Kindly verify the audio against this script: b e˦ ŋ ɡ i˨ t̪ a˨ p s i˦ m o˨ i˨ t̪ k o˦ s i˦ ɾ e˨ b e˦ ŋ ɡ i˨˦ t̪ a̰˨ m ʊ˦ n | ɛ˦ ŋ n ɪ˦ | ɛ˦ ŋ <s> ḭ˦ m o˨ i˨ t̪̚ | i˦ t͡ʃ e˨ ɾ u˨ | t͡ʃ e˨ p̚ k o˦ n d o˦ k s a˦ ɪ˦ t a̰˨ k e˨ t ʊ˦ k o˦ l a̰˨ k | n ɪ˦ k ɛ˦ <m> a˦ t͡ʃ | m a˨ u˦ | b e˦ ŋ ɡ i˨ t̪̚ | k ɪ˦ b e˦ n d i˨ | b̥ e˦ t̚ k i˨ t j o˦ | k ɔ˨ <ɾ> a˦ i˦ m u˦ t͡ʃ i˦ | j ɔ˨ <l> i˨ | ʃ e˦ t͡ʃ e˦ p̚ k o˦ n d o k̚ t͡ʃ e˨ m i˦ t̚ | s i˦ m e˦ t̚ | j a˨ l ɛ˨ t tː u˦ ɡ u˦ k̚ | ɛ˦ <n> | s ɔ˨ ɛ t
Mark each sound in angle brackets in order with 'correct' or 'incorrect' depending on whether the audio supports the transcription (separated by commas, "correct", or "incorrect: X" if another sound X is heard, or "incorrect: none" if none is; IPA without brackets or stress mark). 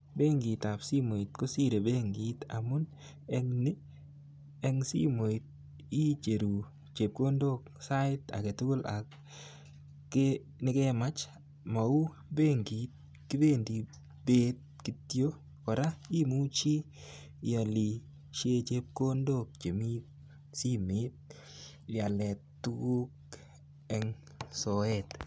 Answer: correct, correct, correct, correct, incorrect: ŋ